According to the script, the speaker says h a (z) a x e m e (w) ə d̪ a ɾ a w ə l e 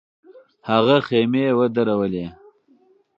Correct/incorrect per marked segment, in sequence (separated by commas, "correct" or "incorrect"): incorrect, correct